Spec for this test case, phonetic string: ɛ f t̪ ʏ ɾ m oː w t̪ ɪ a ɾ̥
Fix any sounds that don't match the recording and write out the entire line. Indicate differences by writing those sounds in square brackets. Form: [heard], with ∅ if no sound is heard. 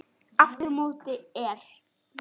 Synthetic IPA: [a] f t̪ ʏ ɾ m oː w t̪ ɪ [ɛ] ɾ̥